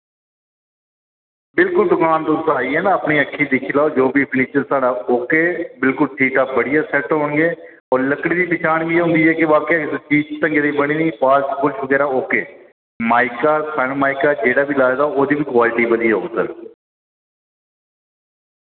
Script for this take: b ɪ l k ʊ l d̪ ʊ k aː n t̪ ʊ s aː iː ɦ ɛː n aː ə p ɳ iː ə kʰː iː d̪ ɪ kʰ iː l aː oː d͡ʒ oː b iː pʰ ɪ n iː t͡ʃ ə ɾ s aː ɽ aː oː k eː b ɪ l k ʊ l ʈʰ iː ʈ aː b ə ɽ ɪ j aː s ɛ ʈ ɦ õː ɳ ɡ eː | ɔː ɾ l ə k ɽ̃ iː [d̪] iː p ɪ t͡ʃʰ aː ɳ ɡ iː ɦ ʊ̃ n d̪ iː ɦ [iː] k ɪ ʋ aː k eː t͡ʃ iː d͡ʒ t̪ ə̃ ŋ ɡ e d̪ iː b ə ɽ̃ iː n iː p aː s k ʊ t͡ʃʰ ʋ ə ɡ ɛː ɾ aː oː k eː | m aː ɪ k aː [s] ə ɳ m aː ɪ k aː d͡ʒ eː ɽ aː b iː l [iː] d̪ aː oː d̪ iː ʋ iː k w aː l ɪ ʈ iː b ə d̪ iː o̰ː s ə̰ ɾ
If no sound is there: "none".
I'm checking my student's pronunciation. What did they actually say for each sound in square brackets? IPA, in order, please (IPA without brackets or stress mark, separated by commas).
d̪, ɛː, s, aː